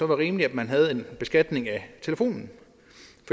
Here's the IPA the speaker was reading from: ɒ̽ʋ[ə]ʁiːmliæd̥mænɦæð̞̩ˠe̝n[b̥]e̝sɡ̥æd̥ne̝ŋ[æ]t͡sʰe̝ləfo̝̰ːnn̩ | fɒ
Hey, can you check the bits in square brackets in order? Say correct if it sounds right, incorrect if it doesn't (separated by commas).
incorrect, correct, correct